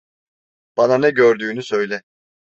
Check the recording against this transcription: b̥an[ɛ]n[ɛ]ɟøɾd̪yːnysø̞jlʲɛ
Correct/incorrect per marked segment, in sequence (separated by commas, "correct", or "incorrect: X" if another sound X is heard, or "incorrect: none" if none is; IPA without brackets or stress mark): incorrect: a, correct